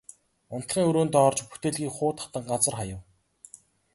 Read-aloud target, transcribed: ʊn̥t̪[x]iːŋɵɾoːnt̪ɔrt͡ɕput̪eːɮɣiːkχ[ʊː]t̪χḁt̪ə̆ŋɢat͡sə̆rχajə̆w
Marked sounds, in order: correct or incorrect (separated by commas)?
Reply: incorrect, correct